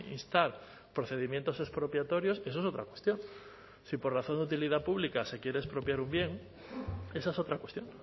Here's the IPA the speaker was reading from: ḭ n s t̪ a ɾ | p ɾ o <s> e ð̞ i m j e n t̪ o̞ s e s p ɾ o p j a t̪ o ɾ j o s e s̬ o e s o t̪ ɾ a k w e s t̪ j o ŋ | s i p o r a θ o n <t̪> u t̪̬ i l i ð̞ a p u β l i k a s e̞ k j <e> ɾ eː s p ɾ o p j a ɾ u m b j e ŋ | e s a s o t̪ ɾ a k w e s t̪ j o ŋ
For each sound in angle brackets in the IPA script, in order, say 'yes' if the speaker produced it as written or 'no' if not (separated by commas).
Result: no, no, yes